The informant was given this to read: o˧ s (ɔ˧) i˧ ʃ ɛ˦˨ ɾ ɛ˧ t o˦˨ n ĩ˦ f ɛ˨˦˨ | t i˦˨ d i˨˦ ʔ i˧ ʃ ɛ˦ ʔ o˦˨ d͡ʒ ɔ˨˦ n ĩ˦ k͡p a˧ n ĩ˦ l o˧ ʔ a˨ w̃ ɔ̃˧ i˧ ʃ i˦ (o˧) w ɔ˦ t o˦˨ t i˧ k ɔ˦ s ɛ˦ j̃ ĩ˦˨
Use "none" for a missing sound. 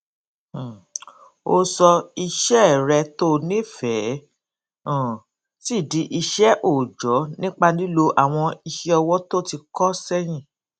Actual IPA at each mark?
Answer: ɔ˧, ɔ˧

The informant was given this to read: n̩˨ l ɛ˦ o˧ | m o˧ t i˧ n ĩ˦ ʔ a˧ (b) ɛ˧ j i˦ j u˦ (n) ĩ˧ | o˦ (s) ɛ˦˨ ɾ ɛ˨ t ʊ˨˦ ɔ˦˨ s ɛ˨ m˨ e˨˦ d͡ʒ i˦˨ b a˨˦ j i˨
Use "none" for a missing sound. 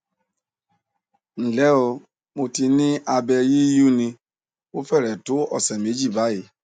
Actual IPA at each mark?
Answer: b, n, f

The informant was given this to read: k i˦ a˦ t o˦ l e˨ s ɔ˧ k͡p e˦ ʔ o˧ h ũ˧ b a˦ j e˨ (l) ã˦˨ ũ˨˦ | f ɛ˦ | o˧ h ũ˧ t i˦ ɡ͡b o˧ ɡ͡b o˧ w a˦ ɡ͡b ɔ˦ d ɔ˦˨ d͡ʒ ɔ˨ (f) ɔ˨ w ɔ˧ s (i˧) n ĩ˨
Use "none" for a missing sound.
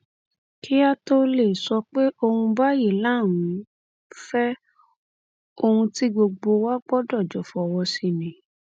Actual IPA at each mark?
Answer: l, f, i˧

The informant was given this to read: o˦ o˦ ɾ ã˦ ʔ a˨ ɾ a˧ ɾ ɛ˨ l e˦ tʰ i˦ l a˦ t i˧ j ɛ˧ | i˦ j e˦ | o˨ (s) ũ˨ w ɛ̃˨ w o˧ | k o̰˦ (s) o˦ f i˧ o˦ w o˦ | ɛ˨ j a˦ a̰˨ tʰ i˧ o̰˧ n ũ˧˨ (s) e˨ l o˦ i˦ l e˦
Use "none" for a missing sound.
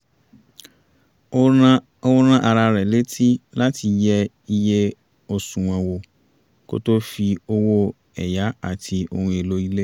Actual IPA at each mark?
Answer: s, t, none

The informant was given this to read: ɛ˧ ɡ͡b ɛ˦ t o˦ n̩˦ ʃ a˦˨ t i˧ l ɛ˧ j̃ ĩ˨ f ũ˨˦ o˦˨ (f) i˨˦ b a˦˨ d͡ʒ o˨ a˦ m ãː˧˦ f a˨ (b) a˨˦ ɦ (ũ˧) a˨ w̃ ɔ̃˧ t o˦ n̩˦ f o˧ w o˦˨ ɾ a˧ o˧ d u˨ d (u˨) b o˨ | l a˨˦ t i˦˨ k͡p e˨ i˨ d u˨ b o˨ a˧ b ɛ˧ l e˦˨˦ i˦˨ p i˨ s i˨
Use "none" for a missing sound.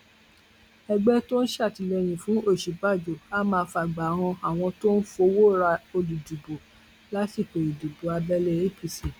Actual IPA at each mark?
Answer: ʃ, ɡ͡b, ɔ̃˧, u˨

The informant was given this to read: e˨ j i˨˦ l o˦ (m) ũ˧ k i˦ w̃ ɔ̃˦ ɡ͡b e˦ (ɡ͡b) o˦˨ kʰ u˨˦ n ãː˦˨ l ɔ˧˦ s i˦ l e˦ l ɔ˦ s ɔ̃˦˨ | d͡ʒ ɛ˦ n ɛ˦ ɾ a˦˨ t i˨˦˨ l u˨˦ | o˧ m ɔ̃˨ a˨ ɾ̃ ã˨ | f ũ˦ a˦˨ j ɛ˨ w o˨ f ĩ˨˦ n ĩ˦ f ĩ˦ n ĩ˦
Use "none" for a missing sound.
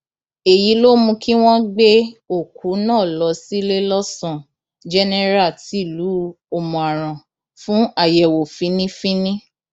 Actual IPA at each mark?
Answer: m, none

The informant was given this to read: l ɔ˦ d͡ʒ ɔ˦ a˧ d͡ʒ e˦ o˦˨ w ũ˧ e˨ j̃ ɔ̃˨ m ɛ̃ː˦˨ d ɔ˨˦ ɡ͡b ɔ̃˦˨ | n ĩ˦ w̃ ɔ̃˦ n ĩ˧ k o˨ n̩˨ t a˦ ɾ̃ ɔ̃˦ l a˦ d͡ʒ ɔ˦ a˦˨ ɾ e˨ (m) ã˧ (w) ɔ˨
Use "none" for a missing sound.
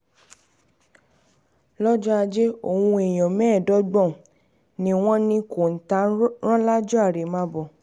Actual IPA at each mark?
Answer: m, b

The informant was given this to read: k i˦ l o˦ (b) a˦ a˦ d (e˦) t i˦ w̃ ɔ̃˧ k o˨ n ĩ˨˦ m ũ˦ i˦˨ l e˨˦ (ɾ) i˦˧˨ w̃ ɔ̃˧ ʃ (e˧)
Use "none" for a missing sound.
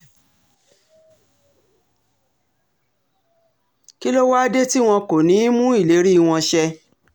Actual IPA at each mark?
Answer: w, e˦, ɾ, ɛ˧

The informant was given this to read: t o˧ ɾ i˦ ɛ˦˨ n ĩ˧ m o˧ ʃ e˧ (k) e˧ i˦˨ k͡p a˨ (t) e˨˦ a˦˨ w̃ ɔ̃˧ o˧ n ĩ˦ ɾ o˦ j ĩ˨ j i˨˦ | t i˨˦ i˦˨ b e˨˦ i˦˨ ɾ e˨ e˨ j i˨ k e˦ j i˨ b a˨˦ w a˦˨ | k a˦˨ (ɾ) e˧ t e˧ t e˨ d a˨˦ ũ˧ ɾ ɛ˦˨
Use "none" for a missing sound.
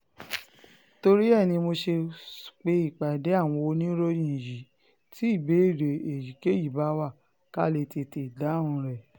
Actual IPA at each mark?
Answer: k͡p, d, l

